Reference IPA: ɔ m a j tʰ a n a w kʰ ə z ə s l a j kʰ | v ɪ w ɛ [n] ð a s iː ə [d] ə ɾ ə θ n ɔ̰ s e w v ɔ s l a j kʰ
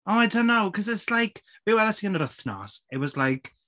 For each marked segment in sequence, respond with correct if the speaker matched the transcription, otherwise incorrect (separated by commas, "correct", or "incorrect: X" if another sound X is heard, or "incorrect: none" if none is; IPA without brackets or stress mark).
incorrect: none, incorrect: n